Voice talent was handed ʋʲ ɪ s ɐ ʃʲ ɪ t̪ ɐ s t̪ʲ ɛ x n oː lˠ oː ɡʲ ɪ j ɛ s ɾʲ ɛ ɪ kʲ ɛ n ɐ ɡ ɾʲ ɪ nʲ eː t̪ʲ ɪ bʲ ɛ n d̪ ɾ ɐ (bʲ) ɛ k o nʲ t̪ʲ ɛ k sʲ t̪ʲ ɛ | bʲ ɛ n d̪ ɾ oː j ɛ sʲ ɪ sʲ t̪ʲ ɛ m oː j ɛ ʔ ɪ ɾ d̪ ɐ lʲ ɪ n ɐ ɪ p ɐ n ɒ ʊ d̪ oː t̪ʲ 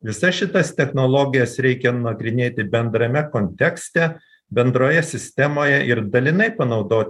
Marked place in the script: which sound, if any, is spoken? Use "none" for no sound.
mʲ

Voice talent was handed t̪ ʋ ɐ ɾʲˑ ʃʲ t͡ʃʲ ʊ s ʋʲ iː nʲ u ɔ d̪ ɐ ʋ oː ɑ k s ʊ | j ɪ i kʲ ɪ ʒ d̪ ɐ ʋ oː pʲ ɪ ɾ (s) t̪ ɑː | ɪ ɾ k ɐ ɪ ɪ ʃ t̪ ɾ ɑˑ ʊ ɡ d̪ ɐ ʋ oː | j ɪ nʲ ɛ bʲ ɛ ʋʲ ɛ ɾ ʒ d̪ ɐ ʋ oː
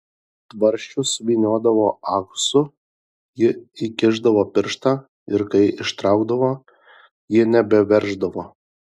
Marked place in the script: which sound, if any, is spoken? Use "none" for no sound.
ʃ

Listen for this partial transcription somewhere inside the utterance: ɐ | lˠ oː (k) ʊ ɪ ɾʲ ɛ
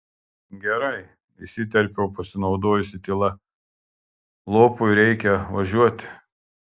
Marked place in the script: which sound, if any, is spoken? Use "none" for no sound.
p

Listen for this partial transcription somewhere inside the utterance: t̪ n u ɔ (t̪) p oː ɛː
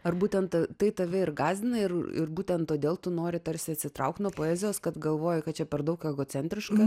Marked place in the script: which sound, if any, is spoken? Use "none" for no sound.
none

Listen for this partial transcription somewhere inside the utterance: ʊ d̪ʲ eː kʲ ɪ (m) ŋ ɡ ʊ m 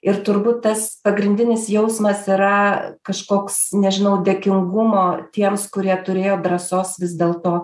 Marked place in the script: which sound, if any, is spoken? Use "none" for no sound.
none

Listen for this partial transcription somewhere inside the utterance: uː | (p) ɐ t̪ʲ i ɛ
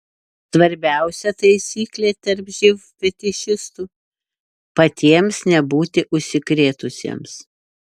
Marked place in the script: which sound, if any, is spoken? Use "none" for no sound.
p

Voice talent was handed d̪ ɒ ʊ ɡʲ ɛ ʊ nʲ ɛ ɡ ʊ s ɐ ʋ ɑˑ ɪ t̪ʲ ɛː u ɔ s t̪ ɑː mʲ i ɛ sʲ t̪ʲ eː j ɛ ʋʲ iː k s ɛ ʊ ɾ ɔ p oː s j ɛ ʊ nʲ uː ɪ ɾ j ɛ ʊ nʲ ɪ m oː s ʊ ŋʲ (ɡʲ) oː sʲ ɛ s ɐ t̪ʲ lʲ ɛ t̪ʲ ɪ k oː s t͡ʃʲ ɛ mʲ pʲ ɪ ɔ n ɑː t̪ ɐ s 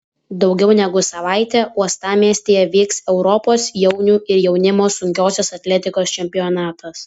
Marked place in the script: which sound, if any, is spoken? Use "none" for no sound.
kʲ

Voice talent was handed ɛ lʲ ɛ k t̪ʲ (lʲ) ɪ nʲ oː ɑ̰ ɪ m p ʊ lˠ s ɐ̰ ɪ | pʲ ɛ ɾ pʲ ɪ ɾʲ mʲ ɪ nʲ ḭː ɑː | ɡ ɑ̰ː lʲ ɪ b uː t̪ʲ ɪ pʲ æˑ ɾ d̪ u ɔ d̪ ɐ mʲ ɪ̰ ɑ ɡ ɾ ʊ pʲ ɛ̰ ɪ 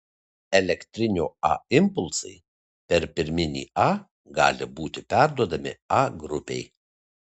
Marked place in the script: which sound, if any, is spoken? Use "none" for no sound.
ɾʲ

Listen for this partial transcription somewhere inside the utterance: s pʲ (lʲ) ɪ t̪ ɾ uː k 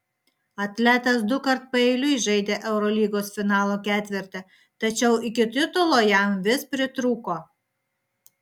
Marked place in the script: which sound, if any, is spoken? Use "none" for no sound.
ɾʲ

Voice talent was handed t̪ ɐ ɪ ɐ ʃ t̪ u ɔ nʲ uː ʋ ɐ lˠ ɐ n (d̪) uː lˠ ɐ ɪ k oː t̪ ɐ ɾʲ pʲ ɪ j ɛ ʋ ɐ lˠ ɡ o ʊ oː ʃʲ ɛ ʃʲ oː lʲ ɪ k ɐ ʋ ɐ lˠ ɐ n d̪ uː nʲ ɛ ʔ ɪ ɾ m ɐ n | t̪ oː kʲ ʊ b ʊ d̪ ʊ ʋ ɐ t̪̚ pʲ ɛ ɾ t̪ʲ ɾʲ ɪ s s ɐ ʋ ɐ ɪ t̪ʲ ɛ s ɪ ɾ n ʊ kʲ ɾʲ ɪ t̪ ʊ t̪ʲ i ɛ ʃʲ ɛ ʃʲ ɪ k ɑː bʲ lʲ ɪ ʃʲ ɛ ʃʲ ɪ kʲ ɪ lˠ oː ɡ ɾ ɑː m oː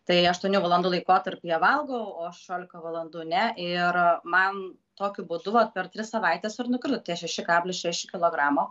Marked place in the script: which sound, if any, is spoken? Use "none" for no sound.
d̪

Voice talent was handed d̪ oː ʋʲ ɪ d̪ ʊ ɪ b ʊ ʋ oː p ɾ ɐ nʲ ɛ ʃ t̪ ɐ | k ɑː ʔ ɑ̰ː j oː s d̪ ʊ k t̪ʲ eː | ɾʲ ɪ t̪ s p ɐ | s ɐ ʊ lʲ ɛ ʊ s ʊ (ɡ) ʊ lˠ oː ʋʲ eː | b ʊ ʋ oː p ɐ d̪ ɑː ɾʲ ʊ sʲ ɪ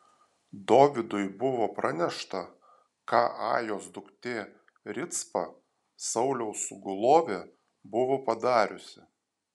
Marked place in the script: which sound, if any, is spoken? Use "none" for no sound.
ɡ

